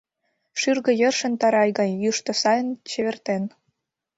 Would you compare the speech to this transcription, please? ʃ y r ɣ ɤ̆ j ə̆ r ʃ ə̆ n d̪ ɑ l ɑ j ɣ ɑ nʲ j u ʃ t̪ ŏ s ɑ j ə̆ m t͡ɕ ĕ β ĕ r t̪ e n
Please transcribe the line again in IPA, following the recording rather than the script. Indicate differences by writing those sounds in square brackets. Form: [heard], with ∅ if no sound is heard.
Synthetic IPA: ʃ y r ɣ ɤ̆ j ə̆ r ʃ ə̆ n [t̪] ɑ [ɾ] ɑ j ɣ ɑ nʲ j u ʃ t̪ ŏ s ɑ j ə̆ [n] t͡ɕ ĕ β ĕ r t̪ e n